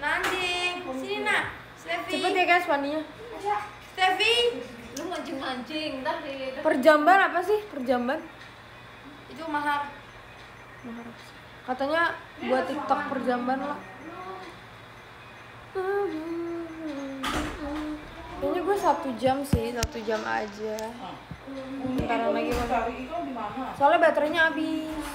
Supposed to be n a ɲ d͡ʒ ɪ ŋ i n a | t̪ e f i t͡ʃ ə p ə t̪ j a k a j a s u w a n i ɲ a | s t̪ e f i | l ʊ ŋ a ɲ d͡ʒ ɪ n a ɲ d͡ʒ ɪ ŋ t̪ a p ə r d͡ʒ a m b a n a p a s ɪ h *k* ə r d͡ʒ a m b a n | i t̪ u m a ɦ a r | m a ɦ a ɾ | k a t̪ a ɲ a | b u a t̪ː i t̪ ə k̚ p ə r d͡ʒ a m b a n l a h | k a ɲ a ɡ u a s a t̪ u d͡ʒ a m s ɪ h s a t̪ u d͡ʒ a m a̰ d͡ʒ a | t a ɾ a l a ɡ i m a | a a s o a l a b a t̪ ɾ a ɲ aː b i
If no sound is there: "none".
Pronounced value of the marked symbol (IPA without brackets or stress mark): p